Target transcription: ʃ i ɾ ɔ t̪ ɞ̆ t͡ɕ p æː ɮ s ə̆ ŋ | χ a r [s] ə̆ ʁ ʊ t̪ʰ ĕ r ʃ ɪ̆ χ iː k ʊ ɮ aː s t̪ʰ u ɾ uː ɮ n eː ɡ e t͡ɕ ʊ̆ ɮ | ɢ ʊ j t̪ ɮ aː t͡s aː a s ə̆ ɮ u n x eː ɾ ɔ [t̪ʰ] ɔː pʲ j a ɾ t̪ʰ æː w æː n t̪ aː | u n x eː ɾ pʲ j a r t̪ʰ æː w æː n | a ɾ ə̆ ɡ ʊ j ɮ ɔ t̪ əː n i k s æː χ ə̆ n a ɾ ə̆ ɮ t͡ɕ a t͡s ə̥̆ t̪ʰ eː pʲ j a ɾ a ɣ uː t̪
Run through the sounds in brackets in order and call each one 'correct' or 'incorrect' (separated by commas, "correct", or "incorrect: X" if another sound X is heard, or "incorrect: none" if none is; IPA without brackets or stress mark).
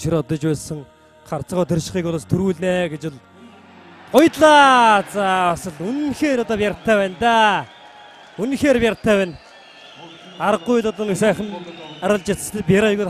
incorrect: t͡s, incorrect: t̪